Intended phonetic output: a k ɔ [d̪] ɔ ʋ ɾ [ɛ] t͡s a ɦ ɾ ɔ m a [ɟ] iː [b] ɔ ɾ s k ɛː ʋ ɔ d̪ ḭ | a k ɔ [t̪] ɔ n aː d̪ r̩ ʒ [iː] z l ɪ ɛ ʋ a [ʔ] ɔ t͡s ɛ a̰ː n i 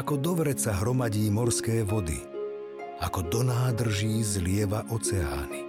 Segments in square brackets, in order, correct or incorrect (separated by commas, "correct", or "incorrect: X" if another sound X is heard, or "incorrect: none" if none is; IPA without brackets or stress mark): correct, correct, correct, incorrect: m, incorrect: d̪, correct, correct